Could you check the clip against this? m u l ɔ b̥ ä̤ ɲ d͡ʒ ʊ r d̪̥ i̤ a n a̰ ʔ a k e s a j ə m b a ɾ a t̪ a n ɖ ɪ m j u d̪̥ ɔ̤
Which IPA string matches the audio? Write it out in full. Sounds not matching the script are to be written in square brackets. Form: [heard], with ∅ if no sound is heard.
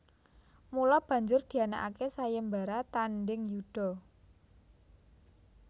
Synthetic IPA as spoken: m u l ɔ b̥ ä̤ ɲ d͡ʒ ʊ r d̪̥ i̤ a n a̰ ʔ a k e s a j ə m b a ɾ a t̪ a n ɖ ɪ [ŋ] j u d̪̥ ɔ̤